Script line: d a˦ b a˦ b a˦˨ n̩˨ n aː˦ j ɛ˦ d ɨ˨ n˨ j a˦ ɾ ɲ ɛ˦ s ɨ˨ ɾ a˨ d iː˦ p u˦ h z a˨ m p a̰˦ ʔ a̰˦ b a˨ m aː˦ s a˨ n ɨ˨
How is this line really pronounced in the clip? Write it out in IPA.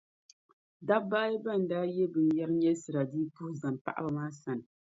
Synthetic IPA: d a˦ b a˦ b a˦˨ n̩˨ d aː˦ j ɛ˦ b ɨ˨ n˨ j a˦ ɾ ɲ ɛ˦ s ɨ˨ ɾ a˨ d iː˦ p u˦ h z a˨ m p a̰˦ ʔ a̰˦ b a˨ m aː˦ s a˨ n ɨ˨